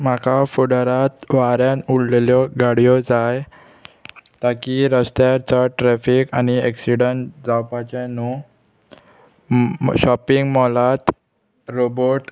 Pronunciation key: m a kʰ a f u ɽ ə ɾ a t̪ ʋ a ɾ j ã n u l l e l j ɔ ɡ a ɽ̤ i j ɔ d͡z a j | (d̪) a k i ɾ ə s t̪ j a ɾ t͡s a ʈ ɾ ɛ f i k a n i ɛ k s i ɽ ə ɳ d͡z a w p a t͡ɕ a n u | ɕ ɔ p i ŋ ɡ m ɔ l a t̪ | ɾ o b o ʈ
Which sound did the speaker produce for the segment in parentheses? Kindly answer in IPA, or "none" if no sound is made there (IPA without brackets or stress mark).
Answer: t̪